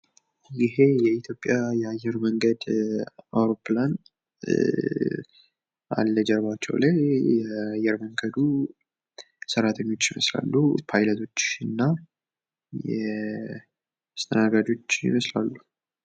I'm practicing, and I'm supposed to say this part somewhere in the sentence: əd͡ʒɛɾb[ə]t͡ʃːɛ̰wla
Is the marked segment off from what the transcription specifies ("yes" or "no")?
yes